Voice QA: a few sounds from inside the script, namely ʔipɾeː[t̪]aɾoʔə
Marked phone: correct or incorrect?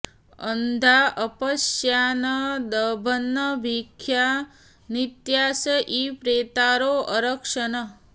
correct